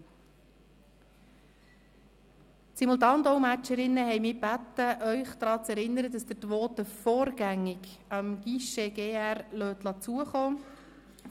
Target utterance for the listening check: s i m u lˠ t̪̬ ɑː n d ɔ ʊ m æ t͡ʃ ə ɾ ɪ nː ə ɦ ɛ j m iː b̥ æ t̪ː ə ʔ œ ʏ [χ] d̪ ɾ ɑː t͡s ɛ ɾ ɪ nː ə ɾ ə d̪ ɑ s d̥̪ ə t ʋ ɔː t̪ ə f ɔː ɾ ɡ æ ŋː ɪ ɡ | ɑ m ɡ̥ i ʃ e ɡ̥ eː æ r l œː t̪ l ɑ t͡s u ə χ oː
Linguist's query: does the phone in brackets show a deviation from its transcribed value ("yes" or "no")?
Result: no